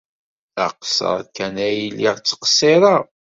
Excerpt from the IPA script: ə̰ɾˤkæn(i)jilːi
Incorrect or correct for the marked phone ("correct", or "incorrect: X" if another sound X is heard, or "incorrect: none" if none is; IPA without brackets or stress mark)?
incorrect: æ